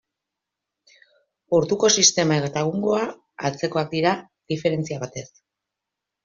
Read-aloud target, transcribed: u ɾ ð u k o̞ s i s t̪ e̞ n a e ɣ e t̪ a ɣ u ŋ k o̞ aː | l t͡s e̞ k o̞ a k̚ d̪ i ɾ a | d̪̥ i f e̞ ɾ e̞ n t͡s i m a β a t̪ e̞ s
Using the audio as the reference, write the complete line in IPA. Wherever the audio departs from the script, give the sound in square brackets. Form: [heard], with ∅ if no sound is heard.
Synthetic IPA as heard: u ɾ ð u k o̞ s i s t̪ e̞ [m] a e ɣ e t̪ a ɣ u ŋ [ɡ] o̞ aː | l t͡s e̞ k o̞ a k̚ d̪ i ɾ a | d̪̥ i f e̞ ɾ e̞ n t͡s i [∅] a β a t̪ e̞ s